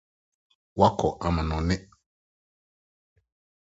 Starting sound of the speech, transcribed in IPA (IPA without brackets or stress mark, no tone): w